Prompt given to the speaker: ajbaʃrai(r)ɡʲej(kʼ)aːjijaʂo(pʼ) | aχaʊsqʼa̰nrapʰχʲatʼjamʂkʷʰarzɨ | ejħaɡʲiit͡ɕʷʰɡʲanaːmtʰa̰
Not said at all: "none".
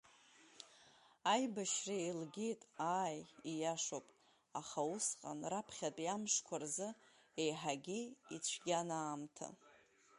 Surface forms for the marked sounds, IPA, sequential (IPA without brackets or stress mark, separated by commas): l, tʼ, pʼ